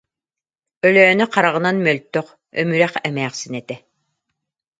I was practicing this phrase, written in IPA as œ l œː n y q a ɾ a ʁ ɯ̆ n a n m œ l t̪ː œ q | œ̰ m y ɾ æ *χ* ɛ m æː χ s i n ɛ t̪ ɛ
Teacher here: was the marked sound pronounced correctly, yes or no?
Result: yes